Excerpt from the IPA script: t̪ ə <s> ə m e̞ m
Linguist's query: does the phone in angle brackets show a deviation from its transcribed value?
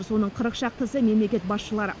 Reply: no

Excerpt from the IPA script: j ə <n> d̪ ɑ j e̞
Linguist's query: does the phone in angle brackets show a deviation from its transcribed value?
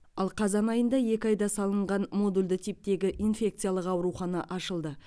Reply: no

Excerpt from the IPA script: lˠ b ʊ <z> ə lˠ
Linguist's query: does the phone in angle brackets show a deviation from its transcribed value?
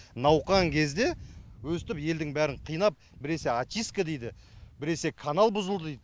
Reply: no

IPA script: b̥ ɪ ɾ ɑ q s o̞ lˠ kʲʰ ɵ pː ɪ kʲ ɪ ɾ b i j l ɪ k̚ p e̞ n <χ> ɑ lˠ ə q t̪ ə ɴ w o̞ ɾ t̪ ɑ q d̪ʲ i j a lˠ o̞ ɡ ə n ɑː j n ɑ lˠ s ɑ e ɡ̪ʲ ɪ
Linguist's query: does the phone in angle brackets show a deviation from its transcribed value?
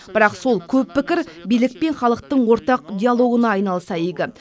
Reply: no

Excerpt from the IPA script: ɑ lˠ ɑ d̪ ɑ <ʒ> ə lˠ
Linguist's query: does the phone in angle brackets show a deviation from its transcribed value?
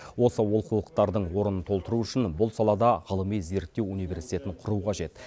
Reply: yes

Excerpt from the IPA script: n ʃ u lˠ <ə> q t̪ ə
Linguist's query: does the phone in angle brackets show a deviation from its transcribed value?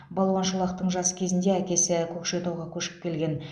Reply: yes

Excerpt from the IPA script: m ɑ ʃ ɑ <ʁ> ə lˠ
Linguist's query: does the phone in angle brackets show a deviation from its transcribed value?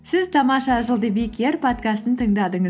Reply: yes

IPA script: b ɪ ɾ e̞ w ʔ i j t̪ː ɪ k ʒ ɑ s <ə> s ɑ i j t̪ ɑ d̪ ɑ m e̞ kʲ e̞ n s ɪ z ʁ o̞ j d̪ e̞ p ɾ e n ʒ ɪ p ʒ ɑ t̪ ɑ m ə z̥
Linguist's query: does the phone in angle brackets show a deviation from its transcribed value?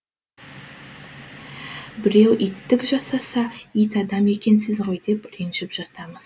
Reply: yes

